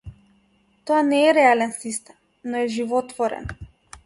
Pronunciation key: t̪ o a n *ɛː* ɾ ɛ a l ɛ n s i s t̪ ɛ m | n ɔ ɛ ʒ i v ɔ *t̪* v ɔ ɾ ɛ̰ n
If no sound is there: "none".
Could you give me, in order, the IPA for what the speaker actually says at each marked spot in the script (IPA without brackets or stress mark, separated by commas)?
ɛː, t̪